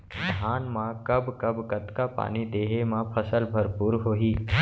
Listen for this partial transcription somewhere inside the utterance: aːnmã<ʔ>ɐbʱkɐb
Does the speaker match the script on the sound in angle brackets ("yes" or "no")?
no